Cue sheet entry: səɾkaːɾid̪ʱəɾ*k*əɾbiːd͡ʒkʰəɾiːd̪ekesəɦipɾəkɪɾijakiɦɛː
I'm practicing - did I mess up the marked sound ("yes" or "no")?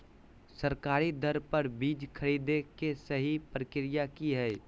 yes